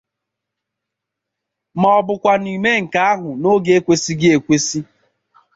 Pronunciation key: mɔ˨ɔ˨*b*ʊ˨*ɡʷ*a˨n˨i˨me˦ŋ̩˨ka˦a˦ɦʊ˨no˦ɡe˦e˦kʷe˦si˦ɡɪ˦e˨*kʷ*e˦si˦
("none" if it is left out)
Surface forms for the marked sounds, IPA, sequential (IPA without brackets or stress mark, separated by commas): b, kʷ, kʷ